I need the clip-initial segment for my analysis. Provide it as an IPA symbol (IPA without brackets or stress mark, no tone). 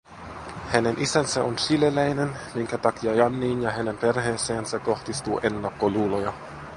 h